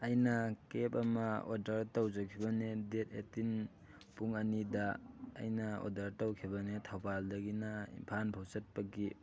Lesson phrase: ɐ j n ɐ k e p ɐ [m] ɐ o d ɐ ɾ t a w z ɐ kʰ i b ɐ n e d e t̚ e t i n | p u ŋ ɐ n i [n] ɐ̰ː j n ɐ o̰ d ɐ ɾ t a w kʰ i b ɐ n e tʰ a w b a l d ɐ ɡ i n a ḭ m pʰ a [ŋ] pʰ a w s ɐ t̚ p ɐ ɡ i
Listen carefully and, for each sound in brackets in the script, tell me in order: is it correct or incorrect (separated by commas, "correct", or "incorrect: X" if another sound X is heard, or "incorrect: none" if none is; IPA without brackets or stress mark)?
correct, incorrect: d, incorrect: n